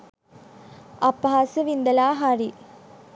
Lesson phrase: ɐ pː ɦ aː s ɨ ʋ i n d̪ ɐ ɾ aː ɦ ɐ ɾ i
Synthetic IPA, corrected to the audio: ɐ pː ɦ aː s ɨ ʋ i n d̪ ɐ l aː ɦ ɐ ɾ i